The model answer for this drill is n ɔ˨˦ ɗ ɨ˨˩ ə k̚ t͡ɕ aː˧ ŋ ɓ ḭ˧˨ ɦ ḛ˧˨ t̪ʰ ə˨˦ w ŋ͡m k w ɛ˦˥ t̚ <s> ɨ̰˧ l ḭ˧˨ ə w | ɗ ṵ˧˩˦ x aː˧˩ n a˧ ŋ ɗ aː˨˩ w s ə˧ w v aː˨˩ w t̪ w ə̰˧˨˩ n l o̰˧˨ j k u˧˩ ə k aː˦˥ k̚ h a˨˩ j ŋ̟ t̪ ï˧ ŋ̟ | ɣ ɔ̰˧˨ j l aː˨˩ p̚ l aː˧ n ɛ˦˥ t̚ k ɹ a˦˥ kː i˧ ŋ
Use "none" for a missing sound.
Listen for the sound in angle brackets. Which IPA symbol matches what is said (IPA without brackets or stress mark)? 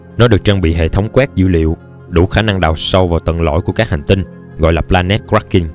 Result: z